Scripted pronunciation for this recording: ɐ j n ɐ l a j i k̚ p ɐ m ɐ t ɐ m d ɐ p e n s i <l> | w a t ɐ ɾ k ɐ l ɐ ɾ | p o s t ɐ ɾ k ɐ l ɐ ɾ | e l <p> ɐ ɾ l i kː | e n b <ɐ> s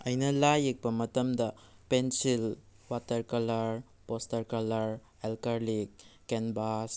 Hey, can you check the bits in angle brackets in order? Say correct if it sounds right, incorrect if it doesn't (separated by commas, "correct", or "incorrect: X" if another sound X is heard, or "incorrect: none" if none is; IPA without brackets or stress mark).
correct, incorrect: k, incorrect: a